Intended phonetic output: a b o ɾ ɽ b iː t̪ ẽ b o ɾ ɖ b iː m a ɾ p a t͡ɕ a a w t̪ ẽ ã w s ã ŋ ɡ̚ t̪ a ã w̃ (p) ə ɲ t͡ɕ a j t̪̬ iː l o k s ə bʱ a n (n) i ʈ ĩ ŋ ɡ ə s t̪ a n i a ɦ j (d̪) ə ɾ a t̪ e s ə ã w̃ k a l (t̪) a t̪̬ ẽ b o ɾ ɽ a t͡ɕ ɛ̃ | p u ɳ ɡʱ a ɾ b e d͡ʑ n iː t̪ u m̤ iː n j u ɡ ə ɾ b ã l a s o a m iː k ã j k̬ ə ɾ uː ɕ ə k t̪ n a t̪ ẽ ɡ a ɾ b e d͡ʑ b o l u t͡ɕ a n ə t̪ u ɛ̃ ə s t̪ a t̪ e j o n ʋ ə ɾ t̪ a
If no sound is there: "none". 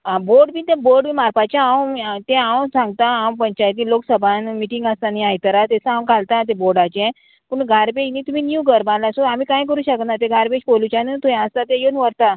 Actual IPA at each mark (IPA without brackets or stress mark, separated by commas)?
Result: p, m, t̪, t̪